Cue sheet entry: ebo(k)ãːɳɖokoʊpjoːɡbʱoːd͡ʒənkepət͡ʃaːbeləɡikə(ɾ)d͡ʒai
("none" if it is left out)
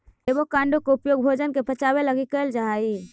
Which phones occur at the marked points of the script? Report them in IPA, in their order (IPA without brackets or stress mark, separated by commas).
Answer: k, l